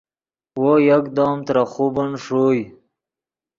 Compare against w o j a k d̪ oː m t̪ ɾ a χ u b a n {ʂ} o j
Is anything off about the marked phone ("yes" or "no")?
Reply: no